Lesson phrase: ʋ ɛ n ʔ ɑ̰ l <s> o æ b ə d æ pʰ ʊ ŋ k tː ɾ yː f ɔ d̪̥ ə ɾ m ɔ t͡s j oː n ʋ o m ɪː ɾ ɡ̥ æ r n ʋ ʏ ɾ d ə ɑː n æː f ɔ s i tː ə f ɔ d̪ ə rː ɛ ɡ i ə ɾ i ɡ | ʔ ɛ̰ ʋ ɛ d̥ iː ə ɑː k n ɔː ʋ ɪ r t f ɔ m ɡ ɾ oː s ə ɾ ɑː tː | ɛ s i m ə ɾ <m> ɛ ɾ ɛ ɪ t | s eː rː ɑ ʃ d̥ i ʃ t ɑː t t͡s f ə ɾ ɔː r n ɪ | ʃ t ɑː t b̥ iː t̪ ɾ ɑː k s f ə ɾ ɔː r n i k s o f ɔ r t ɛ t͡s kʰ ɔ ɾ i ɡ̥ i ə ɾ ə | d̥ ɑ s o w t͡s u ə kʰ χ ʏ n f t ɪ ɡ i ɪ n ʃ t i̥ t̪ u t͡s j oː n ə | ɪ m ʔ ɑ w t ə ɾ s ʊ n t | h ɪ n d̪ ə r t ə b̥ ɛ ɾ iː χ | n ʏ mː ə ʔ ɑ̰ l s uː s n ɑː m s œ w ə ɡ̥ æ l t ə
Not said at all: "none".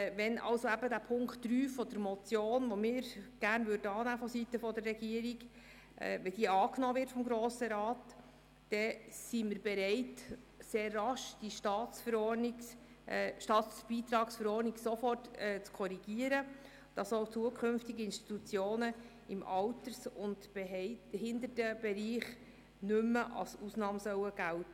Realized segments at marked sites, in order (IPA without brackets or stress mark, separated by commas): s, b